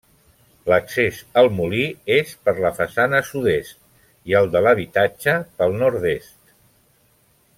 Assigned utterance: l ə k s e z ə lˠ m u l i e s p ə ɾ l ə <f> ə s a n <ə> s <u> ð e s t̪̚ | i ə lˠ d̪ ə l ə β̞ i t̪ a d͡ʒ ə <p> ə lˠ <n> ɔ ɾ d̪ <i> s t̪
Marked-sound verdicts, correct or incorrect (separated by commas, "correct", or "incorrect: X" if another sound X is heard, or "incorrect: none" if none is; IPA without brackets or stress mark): correct, correct, correct, correct, correct, incorrect: e